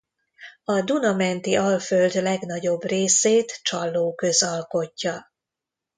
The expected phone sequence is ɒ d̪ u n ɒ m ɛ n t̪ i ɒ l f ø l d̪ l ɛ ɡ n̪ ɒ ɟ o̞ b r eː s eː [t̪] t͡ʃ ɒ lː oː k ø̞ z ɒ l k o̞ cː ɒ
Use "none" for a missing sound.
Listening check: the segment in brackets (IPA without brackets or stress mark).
t̪